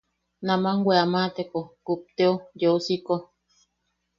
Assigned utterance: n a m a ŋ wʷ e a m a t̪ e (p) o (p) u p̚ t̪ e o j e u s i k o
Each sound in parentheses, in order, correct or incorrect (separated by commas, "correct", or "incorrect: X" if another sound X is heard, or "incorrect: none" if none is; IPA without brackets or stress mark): incorrect: k, incorrect: k